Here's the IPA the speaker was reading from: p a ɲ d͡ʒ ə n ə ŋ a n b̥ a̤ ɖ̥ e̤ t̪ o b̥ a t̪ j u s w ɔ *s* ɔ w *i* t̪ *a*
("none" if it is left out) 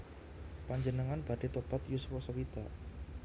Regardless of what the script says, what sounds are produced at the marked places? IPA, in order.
s, i, a

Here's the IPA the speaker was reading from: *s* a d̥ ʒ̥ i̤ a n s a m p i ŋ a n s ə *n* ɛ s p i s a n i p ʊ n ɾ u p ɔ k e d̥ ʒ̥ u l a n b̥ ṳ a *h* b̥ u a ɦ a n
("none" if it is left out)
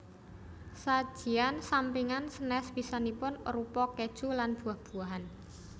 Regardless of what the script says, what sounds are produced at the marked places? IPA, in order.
s, n, h

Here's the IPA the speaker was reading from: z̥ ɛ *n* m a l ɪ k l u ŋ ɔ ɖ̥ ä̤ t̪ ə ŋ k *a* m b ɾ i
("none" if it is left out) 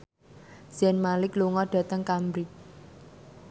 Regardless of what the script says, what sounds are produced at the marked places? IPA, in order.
n, a

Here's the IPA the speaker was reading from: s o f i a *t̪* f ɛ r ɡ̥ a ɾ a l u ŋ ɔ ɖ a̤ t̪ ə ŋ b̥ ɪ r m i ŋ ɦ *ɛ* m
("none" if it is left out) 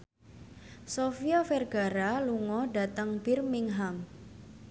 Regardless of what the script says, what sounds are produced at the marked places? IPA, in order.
none, a

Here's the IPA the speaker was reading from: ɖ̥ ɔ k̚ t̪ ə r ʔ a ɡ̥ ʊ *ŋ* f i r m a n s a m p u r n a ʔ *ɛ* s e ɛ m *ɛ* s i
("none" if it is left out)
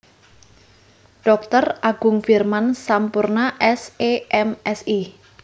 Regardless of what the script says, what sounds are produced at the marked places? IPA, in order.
ŋ, ɛ, ɛ

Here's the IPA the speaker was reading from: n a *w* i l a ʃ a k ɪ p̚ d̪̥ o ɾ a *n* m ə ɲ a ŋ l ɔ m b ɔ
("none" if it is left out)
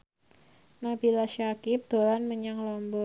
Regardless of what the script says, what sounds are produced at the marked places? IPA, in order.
b, n

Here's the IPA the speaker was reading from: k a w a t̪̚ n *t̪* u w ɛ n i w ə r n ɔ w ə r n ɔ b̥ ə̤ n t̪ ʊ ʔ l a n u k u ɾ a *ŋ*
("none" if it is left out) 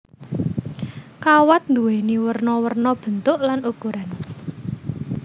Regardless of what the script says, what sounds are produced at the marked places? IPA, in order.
d̪, n

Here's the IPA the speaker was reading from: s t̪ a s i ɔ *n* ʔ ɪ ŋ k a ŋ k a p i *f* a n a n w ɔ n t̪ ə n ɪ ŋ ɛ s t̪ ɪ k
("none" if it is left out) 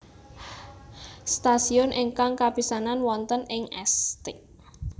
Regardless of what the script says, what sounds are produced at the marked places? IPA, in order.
n, s

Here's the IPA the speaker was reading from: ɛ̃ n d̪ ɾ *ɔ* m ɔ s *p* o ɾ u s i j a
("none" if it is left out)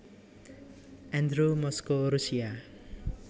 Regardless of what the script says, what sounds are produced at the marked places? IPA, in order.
u, k

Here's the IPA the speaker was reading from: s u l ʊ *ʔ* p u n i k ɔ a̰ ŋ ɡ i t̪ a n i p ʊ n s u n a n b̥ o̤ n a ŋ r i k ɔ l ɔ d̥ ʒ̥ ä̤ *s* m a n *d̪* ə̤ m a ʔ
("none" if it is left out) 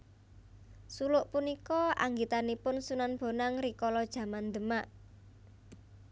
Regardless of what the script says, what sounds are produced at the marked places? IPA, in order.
ʔ, none, d̪

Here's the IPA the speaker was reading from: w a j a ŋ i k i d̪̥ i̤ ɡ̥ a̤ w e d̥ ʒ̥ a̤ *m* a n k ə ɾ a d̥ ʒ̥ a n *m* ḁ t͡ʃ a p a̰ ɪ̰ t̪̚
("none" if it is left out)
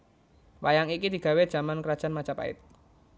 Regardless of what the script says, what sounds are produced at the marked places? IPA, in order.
m, m

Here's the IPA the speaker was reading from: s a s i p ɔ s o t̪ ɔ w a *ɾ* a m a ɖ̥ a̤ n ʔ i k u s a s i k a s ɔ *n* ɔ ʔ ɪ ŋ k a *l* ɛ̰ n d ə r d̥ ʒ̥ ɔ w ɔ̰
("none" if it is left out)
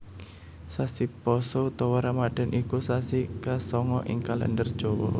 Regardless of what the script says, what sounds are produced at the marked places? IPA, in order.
ɾ, ŋ, l

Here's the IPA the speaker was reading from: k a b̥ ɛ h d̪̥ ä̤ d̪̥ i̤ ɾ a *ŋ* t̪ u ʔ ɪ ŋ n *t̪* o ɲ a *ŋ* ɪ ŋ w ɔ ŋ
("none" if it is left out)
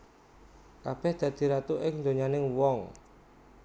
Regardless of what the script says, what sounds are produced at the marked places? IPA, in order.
none, d̪, n

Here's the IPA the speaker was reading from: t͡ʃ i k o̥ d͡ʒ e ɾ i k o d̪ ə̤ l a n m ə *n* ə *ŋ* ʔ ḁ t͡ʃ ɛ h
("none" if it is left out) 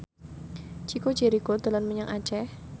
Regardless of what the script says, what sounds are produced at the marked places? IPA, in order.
ɲ, ŋ

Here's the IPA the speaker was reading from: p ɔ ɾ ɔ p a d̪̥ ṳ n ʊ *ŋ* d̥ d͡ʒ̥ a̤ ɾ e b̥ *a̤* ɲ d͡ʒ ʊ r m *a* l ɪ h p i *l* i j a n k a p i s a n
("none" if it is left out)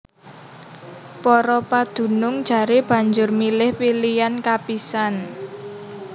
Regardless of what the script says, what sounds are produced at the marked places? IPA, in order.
ŋ, a̤, i, l

